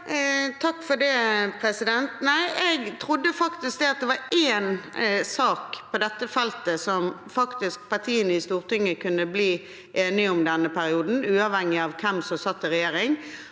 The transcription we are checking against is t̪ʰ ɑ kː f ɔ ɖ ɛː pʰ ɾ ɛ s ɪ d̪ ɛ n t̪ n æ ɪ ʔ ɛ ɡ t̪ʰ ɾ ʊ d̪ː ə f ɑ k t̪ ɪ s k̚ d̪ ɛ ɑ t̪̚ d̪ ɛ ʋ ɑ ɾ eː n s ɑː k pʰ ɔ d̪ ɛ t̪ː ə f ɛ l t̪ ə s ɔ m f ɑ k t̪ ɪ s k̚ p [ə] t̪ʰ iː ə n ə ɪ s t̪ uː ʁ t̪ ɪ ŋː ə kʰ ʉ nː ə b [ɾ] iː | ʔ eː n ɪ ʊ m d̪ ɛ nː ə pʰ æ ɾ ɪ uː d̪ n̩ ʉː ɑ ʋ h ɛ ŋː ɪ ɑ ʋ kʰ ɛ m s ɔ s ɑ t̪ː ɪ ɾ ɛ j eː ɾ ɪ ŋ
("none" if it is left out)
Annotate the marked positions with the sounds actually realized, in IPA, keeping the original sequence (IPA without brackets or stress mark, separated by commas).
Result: ɑ, l